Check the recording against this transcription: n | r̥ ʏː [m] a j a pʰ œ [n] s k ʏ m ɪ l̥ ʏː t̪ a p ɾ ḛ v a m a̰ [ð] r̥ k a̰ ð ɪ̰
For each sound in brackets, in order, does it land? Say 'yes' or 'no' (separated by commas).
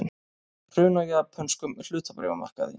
no, yes, no